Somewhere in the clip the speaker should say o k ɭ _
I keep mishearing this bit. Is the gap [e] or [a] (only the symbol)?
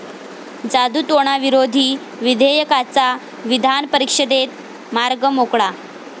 a